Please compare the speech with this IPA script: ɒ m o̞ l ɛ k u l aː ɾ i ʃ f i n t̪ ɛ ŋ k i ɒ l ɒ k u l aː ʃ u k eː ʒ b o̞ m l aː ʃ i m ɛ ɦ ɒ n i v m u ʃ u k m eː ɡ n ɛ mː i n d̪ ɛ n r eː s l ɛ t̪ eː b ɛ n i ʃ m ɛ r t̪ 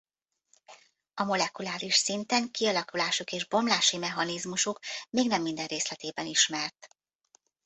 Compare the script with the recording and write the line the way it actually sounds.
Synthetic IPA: ɒ m o̞ l ɛ k u l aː ɾ i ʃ s i n t̪ ɛ ŋ k i ɒ l ɒ k u l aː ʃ u k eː ʒ b o̞ m l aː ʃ i m ɛ ɦ ɒ n i z m u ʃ u k m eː ɡ n ɛ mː i n d̪ ɛ n r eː s l ɛ t̪ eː b ɛ n i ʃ m ɛ r t̪